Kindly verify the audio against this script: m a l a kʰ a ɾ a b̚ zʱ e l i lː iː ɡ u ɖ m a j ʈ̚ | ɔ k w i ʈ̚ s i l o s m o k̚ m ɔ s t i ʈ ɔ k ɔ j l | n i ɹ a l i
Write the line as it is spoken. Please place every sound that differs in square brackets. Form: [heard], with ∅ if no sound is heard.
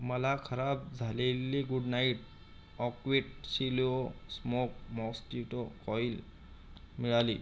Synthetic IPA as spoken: m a l a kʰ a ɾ a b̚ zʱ [a] l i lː [i] ɡ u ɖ [n] a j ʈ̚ | ɔ k w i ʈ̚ s i l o s m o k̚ m ɔ s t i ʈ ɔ k ɔ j l | [m] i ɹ a l i